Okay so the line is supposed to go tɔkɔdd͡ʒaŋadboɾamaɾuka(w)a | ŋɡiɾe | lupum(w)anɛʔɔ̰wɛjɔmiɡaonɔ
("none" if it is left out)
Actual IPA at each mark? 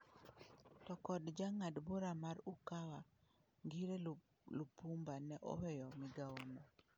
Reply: w, b

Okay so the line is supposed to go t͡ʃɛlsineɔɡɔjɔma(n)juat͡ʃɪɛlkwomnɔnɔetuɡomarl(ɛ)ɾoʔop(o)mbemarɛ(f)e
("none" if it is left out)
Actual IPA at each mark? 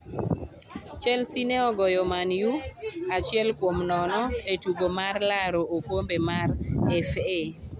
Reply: n, a, o, f

